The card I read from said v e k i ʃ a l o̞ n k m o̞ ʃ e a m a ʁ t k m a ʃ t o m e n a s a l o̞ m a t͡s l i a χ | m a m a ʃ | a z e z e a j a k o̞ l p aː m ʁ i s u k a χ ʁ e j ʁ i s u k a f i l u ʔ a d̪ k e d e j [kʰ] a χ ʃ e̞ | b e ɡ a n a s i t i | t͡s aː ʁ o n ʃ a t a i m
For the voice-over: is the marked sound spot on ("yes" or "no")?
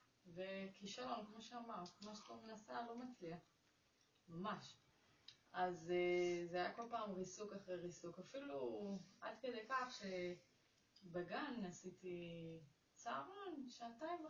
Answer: no